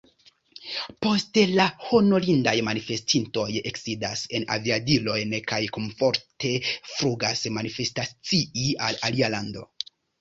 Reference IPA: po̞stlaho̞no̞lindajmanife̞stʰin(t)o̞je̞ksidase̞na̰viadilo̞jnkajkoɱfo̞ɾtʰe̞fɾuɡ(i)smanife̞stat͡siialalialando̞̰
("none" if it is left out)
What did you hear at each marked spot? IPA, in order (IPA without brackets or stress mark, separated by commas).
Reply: t, a